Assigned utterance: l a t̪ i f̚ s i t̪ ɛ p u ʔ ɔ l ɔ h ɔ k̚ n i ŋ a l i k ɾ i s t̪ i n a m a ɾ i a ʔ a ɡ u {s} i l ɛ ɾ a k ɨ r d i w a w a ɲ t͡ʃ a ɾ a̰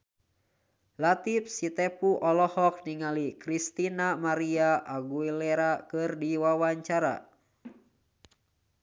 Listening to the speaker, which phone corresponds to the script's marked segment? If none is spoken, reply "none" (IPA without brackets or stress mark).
none